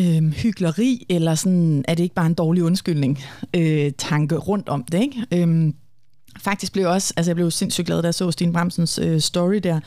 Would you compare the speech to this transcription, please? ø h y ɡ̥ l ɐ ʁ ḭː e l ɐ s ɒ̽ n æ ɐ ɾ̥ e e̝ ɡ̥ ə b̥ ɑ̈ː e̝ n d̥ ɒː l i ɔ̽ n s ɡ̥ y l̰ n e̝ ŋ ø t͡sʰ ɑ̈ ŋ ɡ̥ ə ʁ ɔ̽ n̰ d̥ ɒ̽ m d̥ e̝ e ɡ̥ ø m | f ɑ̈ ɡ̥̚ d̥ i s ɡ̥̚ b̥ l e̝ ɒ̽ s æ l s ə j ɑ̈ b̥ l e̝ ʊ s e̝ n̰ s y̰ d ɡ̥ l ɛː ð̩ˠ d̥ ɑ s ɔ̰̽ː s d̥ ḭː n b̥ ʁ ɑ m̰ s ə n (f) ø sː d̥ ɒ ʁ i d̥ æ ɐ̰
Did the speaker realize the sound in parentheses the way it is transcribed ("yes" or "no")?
no